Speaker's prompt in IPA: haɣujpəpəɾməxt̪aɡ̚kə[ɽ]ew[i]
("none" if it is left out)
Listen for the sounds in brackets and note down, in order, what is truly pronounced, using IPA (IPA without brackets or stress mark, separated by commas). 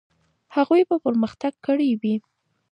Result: ɽ, i